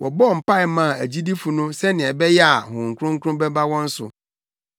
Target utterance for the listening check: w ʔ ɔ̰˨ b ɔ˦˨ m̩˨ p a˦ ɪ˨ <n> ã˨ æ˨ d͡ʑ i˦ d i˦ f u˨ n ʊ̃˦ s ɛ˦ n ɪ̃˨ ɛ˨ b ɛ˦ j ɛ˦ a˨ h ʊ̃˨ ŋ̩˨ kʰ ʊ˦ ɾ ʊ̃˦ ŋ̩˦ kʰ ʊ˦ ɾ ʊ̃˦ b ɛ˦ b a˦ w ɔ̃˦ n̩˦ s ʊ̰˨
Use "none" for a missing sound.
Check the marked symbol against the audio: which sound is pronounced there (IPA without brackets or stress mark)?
m